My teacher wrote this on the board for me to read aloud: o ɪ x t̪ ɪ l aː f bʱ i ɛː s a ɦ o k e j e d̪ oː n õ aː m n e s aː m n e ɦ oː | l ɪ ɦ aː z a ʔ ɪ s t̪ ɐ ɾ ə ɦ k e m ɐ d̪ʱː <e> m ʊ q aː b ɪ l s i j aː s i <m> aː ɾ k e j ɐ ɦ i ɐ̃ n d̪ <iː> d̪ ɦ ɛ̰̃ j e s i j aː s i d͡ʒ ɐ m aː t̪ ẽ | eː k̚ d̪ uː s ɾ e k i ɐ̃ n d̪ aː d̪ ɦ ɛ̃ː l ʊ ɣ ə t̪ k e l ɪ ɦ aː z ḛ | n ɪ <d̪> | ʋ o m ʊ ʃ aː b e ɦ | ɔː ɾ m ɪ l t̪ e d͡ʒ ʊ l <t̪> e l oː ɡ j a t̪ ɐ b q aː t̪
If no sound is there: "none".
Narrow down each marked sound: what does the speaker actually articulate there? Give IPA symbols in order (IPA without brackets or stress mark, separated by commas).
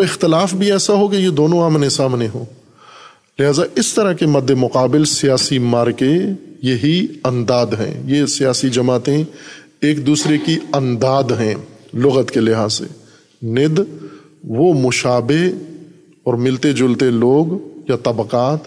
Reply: e, m, aː, d̪, t̪